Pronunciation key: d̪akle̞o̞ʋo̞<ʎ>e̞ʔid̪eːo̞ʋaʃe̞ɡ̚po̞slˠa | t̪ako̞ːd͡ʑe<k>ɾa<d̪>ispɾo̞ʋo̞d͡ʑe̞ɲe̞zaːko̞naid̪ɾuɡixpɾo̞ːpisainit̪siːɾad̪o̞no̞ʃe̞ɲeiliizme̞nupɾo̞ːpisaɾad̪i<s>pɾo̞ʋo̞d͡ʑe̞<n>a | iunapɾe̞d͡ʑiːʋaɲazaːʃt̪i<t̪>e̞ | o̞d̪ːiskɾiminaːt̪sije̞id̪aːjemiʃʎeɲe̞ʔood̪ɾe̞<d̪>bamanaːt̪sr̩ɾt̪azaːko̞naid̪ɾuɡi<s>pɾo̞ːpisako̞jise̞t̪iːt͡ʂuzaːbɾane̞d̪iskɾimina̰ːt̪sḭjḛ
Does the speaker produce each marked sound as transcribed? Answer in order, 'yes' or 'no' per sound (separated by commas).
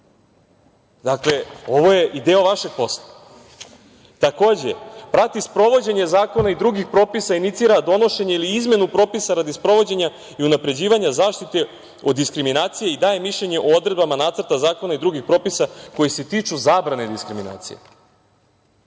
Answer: no, no, no, yes, no, yes, yes, no